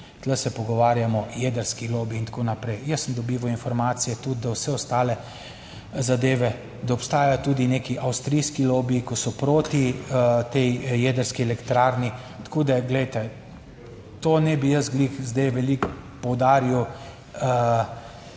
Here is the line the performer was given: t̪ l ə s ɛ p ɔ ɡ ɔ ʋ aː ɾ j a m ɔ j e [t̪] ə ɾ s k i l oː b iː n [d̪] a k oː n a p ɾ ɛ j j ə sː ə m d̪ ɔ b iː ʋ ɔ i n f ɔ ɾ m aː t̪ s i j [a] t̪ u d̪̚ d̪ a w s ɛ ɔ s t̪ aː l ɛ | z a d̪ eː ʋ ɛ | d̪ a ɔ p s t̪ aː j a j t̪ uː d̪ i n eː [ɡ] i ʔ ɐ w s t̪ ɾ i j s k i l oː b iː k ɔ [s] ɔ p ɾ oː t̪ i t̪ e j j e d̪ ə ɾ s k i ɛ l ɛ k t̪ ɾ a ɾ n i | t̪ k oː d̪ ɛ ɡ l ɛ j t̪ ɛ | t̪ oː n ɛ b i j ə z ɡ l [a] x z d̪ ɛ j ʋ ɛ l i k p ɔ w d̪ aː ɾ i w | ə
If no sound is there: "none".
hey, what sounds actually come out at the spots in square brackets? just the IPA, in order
d̪, t̪, ɛ, k, s, i

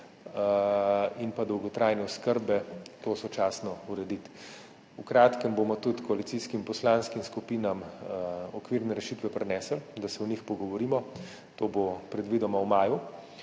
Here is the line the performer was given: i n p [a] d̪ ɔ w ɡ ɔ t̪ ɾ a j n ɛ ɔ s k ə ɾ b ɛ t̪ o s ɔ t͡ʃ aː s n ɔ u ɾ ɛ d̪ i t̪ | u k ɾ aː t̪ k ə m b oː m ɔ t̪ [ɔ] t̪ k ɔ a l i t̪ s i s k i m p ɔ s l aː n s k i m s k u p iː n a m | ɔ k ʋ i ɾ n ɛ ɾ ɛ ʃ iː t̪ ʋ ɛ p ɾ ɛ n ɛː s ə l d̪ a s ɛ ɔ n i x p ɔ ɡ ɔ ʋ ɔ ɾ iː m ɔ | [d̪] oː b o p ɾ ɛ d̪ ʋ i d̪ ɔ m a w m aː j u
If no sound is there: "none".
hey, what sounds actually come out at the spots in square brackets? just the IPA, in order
a, u, t̪

